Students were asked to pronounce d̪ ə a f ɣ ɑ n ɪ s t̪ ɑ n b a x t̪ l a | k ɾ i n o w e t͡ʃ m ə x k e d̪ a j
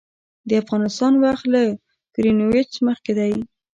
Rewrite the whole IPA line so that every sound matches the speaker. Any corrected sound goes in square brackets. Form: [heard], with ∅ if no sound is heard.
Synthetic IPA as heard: d̪ ə a f ɣ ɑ n ɪ s t̪ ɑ n [w] a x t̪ l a | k ɾ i n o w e t͡ʃ m ə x k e d̪ a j